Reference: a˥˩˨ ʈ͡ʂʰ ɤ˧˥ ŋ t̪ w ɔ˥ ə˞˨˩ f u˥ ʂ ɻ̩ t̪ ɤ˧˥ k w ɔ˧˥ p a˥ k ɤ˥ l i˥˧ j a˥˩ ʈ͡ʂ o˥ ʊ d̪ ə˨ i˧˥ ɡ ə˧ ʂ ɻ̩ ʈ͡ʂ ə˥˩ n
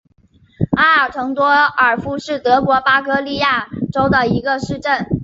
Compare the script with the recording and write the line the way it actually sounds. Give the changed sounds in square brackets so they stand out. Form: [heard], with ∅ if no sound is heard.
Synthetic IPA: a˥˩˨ ʈ͡ʂʰ ɤ˧˥ ŋ t̪ w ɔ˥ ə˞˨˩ f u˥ ʂ ɻ̩ t̪ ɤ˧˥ k w ɔ˧˥ p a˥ k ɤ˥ l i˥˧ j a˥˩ ʈ͡ʂ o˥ ʊ d̪ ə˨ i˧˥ ɡ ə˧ ʂ ɻ̩ ʈ͡ʂ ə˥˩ n